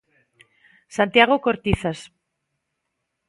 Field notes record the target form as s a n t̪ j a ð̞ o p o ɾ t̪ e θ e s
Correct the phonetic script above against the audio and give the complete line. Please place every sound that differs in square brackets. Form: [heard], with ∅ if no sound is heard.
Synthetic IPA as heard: s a n t̪ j a [ɣ̞] o [k] o ɾ t̪ [i] θ [a] s

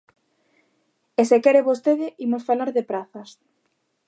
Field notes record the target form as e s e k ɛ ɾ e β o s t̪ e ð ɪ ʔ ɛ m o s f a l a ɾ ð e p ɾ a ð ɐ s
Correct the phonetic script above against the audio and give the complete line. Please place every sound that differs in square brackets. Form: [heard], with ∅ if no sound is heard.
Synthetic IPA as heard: e s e k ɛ ɾ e β o s t̪ e ð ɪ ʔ [i] m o s f a l a ɾ ð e p ɾ a [θ] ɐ s

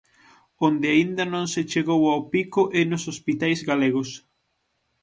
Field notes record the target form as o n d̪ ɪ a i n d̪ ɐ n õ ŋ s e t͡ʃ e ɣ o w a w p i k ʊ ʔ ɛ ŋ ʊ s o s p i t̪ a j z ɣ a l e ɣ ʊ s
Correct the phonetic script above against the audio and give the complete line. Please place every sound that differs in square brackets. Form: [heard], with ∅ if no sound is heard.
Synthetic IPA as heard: o n d̪ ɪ a i n d̪ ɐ n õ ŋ s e t͡ʃ e ɣ o w a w p i k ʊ ʔ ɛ [n] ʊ s o s p i t̪ a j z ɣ a l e ɣ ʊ s

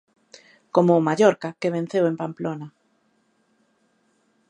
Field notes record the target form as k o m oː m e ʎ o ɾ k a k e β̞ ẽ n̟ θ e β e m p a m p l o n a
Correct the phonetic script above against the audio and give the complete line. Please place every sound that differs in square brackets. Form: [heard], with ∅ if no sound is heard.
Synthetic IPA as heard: k o m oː m [a] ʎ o ɾ k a k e β̞ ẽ n̟ θ e [w] e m p a m p l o n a

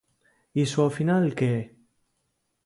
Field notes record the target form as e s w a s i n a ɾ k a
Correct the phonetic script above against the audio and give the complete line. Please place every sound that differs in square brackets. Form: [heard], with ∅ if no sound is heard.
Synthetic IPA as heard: [i] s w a [f] i n a [l] k [e]

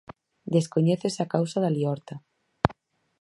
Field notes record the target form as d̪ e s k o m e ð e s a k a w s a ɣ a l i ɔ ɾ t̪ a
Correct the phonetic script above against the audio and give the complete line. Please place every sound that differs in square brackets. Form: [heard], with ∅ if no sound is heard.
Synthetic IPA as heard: d̪ e s k o [ɲ] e [θ] e s a k a w s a [ð] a l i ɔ ɾ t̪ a

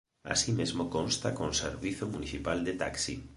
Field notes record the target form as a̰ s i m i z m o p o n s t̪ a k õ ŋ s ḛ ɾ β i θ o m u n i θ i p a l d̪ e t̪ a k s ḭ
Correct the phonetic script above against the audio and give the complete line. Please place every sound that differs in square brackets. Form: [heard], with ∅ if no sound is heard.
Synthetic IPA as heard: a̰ s i m [e] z m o [k] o n s t̪ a k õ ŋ s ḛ ɾ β i θ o m u n i θ i p a l d̪ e t̪ a k s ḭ

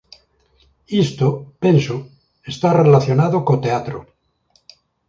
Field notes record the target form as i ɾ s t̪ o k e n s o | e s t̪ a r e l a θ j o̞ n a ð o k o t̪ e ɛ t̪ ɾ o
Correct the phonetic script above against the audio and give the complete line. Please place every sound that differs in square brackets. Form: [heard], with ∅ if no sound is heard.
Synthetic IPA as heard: i [∅] s t̪ o [p] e n s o | e s t̪ a r e l a θ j o̞ n a ð o k o t̪ e [a] t̪ ɾ o

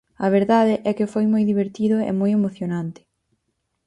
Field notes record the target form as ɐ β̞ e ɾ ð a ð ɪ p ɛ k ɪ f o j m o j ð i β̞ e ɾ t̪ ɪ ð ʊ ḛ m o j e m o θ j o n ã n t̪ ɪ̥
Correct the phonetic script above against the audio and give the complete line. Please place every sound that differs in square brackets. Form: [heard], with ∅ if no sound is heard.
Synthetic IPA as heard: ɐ β̞ e ɾ ð a ð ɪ [ʔ] ɛ k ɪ f o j m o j ð i β̞ e ɾ t̪ [i] ð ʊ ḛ m o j e m o θ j o n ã n t̪ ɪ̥

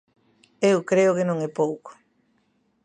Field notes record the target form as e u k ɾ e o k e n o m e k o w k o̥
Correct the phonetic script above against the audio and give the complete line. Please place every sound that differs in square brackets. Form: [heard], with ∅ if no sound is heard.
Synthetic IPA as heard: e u k ɾ e o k e n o [ŋ] e [p] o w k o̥

